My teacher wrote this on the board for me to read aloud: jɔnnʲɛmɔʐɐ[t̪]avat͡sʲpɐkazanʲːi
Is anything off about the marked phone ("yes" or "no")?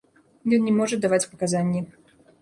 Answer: yes